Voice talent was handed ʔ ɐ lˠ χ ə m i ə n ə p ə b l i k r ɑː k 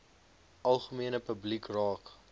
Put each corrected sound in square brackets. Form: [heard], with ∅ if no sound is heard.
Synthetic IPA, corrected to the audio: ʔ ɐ lˠ χ ə m i ə n ə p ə b l i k r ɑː k